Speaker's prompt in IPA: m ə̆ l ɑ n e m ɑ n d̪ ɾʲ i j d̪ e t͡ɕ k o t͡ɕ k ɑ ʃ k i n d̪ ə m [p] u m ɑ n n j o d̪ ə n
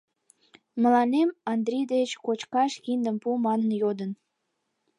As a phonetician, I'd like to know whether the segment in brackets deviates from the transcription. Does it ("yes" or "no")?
no